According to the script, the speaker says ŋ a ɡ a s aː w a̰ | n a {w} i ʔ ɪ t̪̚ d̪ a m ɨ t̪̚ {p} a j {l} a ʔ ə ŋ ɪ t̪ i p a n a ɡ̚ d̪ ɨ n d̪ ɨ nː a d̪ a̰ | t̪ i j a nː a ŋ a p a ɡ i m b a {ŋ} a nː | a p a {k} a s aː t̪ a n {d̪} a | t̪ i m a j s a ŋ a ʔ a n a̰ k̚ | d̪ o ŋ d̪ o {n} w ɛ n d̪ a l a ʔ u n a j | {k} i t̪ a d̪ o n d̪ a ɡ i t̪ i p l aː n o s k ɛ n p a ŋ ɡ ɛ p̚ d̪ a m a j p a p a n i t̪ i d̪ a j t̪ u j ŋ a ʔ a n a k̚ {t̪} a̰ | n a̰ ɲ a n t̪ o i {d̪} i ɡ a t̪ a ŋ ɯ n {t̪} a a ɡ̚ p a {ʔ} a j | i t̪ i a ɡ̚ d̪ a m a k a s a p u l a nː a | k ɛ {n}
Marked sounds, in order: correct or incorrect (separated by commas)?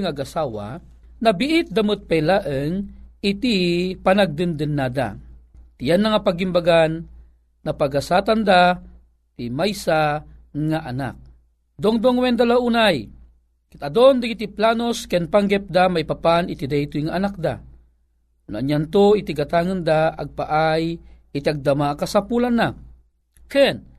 incorrect, correct, correct, incorrect, incorrect, correct, incorrect, correct, incorrect, incorrect, incorrect, correct, correct